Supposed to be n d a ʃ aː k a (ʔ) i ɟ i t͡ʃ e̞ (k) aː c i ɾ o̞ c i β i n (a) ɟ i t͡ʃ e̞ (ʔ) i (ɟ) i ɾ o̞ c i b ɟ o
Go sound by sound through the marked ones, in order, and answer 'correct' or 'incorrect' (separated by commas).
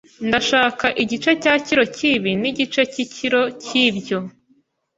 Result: correct, incorrect, incorrect, incorrect, incorrect